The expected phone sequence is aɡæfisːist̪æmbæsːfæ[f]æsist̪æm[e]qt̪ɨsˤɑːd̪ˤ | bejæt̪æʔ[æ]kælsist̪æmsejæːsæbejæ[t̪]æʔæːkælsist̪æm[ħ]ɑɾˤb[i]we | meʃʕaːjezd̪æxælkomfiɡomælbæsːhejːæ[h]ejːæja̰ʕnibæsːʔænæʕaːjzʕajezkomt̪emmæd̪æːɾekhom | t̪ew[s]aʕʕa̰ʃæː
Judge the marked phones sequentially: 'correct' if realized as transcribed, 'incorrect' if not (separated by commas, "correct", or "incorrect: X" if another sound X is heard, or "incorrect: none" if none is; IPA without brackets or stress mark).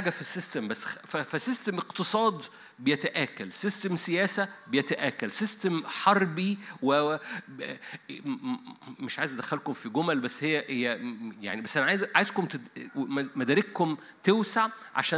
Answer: correct, correct, incorrect: æː, correct, correct, correct, correct, correct